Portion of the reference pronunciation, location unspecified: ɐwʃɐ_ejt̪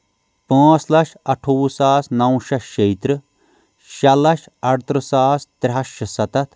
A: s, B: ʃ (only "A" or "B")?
B